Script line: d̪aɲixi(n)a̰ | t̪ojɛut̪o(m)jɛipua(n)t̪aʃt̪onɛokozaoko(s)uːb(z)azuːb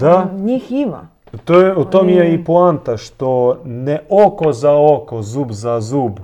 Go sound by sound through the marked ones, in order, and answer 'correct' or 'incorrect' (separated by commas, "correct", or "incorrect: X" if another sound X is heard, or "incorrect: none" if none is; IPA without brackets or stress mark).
incorrect: m, correct, correct, incorrect: z, correct